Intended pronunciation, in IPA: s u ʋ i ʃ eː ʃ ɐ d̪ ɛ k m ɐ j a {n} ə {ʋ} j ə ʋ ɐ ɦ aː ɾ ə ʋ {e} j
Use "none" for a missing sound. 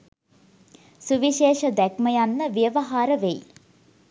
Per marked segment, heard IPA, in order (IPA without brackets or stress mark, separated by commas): nː, ʋ, e